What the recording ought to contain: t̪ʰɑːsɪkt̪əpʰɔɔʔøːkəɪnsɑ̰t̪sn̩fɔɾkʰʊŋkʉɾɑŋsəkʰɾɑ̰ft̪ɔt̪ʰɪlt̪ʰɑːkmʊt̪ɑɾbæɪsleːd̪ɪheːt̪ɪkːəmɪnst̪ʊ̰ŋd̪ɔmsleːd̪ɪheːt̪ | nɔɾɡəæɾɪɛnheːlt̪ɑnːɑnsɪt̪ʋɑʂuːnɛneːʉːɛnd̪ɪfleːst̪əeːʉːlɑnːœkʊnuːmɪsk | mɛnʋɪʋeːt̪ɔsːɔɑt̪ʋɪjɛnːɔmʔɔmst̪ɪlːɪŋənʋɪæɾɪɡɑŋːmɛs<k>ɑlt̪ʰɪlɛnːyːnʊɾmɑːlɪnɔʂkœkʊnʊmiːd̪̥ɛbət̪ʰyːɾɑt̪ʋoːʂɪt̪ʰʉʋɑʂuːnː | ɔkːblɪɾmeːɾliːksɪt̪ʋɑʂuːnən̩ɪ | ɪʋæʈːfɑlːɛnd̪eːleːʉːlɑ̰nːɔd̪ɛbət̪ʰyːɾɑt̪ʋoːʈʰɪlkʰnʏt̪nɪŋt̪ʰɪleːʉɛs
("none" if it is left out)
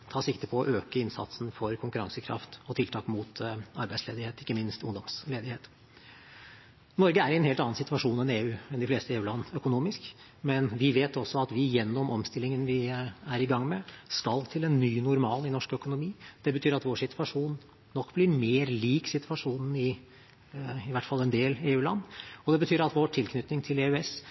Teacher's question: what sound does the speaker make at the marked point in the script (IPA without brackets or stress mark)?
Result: k